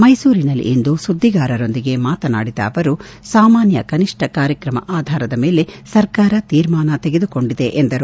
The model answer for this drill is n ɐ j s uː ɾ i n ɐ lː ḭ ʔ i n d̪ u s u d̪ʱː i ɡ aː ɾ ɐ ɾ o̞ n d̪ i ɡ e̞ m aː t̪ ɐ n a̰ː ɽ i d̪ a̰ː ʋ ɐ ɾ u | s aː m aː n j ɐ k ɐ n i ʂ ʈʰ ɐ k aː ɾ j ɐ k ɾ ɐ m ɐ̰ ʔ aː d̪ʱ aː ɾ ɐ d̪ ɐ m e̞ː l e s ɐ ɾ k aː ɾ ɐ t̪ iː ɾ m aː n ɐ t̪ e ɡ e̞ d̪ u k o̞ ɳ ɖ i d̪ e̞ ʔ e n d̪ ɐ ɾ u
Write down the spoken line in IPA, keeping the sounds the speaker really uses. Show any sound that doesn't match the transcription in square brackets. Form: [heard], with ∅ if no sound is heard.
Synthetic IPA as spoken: [m] ɐ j s uː ɾ i n ɐ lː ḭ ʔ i n d̪ u s u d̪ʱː i ɡ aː ɾ ɐ ɾ o̞ n d̪ i ɡ e̞ m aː t̪ ɐ n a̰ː ɽ i d̪ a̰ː ʋ ɐ ɾ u | s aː m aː n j ɐ k ɐ n i ʂ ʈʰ ɐ k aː ɾ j ɐ k ɾ ɐ m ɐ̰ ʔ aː d̪ʱ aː ɾ ɐ d̪ ɐ m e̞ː l e s ɐ ɾ k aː ɾ ɐ t̪ iː ɾ m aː n ɐ t̪ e ɡ e̞ d̪ u k o̞ ɳ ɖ i d̪ e̞ ʔ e n d̪ ɐ ɾ u